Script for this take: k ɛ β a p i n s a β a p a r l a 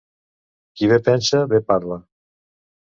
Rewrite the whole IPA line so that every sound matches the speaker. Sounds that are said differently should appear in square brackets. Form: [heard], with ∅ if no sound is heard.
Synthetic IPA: k [i] β [e] p [ɛ] n s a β [e] p a [ɾ] l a